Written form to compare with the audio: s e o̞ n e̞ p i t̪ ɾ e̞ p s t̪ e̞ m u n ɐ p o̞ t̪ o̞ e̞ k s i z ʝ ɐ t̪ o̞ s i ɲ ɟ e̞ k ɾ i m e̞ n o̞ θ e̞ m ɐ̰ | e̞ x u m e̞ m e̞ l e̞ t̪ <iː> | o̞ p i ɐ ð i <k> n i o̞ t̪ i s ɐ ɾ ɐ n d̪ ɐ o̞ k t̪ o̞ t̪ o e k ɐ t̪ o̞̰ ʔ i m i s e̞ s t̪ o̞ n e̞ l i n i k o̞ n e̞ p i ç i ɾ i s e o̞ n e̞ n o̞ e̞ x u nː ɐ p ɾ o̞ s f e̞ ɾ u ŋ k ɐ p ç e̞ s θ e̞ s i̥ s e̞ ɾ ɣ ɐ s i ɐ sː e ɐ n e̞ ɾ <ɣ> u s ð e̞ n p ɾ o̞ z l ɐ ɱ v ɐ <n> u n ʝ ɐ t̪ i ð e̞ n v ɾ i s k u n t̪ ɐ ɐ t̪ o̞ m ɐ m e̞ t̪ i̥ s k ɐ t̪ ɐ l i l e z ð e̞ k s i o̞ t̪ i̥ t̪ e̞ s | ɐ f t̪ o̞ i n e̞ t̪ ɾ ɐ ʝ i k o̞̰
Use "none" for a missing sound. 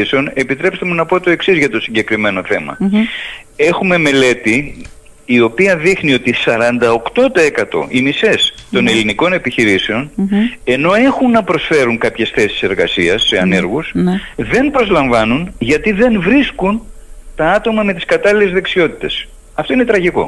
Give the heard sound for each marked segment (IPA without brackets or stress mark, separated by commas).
iː, x, ɣ, n